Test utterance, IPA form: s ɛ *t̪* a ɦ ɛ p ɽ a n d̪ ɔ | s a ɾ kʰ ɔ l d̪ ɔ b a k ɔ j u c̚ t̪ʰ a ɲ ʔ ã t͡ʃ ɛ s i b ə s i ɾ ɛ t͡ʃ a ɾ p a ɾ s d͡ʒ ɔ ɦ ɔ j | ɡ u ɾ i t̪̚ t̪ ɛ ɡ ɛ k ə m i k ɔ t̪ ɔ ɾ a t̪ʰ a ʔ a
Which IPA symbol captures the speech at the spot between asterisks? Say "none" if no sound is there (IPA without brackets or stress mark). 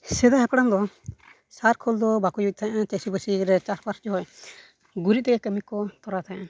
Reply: d̪